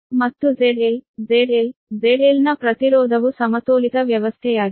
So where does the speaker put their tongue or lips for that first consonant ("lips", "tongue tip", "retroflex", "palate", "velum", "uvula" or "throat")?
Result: lips